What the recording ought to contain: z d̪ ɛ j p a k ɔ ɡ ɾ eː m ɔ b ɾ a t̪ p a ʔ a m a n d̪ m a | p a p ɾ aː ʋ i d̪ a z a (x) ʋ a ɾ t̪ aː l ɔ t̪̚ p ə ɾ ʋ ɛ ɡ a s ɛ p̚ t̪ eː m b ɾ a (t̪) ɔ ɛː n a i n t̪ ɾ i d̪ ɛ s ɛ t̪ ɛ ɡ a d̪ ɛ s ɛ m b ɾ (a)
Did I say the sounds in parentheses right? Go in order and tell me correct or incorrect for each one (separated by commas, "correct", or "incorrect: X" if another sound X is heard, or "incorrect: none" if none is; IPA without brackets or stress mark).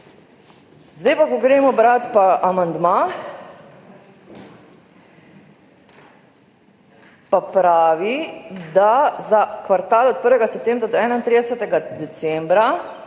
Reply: incorrect: k, incorrect: d̪, correct